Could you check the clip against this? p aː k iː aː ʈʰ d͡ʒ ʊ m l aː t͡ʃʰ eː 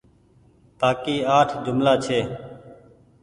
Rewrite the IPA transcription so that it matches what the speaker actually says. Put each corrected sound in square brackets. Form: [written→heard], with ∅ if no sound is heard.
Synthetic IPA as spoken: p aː k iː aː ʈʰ d͡ʒ ʊ m l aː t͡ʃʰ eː